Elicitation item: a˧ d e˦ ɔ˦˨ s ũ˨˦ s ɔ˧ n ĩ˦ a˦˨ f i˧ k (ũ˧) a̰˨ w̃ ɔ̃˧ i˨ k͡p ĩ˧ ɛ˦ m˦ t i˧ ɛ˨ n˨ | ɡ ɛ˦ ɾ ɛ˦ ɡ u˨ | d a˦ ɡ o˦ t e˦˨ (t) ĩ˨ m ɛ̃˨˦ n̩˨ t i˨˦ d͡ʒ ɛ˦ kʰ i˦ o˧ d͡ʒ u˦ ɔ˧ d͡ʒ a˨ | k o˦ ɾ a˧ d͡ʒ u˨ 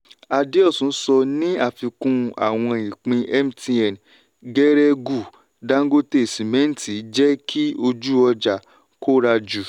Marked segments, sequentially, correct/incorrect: correct, incorrect

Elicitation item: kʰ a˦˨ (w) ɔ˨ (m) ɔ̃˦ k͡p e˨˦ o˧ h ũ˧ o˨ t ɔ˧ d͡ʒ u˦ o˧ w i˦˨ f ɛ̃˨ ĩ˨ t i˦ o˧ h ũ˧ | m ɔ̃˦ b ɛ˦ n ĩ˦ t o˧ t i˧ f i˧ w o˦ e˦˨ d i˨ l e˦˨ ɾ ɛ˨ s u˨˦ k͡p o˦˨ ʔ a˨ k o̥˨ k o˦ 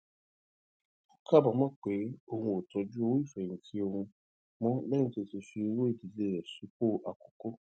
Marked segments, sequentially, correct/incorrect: incorrect, correct

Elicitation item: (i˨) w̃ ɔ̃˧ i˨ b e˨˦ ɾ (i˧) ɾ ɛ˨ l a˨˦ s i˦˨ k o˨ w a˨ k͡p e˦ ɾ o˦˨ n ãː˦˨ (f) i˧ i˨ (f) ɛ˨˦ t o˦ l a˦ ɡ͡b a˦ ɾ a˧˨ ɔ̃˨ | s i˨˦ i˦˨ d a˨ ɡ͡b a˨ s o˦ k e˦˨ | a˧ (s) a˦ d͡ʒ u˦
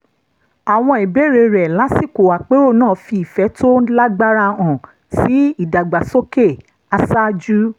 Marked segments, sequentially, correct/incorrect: incorrect, incorrect, correct, correct, correct

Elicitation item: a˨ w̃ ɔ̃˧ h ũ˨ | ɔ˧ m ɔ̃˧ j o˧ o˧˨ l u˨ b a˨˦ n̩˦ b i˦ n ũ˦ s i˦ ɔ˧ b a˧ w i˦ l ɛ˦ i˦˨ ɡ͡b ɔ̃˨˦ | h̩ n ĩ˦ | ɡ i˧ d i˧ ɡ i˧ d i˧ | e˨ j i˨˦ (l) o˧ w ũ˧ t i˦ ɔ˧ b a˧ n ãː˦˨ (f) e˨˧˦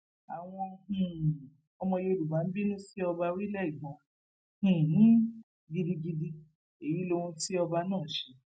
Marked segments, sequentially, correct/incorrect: correct, incorrect

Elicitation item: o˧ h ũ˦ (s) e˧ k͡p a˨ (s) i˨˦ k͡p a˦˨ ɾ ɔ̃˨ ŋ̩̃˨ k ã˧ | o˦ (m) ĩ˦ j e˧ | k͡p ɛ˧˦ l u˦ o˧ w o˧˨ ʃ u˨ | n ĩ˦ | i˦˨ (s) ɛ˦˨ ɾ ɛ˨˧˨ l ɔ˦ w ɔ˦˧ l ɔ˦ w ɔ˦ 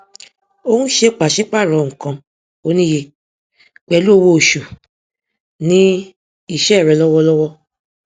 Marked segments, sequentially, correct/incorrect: incorrect, incorrect, incorrect, incorrect

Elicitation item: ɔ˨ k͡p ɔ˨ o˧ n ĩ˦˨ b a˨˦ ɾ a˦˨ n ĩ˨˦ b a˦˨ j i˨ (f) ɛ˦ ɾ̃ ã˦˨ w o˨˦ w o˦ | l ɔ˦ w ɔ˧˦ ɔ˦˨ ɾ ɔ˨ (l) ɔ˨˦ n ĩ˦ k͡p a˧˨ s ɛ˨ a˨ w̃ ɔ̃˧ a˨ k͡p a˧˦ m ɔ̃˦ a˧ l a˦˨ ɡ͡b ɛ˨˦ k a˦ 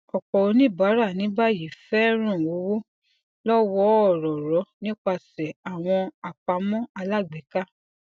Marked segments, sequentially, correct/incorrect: correct, incorrect

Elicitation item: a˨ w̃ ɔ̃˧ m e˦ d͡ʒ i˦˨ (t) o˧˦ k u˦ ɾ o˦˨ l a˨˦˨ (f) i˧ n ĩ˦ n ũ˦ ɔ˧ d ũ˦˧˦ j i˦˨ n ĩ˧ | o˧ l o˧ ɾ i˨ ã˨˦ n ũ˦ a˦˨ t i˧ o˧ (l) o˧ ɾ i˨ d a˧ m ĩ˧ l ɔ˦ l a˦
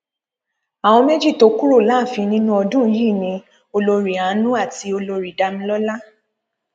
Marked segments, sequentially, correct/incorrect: correct, correct, correct

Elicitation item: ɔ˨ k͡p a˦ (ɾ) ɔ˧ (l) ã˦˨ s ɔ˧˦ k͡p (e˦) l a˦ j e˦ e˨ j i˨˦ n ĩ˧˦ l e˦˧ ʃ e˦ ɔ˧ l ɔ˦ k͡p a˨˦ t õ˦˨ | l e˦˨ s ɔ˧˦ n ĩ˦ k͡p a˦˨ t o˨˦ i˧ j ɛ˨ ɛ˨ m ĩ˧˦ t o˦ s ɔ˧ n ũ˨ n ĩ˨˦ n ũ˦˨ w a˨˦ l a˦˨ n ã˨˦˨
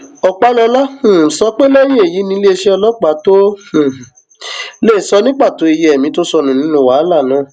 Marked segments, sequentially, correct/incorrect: incorrect, correct, correct

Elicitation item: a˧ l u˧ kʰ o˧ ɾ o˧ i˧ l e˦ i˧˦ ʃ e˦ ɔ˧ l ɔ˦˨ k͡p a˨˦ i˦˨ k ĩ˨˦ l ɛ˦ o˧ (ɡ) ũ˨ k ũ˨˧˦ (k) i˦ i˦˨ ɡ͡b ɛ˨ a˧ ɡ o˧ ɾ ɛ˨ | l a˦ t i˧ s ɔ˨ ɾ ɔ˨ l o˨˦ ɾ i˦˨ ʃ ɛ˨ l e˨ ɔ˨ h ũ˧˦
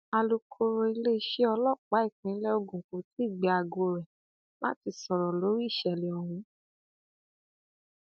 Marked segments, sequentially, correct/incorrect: correct, incorrect

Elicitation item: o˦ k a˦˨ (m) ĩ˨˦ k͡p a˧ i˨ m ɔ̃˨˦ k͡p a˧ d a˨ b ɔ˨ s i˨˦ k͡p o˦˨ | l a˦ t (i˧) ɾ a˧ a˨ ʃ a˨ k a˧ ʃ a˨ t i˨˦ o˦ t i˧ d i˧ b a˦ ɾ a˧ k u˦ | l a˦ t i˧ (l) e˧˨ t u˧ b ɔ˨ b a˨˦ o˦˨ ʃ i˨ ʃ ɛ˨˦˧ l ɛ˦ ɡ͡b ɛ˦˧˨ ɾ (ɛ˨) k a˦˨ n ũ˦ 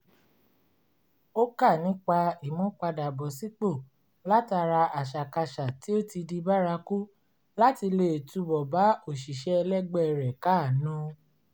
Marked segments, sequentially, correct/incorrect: incorrect, incorrect, correct, correct

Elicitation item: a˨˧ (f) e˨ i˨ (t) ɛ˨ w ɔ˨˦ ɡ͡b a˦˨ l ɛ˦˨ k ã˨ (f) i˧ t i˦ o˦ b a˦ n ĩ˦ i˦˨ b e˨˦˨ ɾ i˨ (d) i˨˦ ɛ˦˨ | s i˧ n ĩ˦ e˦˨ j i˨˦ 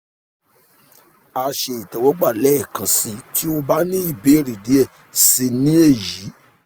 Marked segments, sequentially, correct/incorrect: incorrect, correct, incorrect, correct

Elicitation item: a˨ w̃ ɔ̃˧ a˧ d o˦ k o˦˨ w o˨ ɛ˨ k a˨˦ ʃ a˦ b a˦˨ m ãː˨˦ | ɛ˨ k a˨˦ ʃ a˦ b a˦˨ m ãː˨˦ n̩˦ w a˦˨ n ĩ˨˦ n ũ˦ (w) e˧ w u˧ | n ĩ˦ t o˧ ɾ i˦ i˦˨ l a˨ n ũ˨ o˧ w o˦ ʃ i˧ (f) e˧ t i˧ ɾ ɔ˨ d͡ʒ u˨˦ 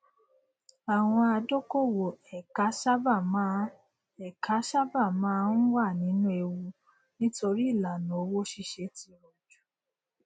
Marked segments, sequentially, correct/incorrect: incorrect, incorrect

